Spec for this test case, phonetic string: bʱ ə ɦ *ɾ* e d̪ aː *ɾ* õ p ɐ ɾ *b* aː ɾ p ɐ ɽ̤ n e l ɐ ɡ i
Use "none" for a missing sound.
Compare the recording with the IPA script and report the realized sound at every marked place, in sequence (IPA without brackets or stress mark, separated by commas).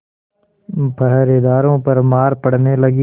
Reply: ɾ, ɾ, m